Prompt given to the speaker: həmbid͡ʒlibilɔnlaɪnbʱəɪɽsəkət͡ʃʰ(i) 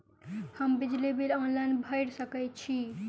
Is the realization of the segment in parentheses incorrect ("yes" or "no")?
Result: no